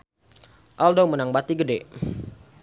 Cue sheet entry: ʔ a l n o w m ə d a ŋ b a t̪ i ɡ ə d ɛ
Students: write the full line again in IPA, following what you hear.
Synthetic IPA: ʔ a l d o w m ə n a ŋ b a t̪ i ɡ ə d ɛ